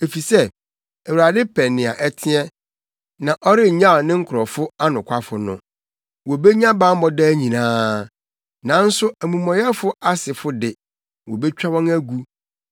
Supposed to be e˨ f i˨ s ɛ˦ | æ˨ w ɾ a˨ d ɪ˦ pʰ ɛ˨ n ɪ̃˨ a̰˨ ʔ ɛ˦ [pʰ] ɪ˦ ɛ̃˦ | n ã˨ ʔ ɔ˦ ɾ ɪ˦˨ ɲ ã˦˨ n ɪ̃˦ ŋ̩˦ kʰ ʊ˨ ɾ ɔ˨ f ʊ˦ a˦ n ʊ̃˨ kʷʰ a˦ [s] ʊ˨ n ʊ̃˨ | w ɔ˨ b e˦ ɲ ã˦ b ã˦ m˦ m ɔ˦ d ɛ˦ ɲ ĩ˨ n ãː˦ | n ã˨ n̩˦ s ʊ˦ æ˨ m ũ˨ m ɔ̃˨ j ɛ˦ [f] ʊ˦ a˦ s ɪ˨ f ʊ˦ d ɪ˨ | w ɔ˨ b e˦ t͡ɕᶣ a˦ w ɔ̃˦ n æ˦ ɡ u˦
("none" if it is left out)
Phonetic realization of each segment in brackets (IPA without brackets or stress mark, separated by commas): tʰ, f, f